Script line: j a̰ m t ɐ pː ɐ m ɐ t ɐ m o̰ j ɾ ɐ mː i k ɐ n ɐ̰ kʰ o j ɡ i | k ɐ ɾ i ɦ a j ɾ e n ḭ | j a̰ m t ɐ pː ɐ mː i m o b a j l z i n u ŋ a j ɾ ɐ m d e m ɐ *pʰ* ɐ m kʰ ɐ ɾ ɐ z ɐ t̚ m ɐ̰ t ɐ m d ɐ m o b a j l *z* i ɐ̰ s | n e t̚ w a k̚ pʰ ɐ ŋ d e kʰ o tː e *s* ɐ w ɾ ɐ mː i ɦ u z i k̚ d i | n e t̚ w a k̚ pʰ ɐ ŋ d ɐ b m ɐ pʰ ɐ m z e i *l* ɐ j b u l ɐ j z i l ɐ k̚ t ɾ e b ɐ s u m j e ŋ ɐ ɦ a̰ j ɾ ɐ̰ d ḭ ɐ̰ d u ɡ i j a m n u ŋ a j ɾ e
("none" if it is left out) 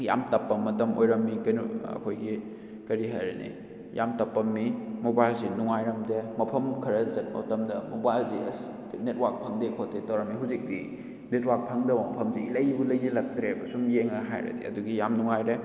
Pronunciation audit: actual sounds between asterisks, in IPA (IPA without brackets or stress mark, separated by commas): pʰ, z, t, l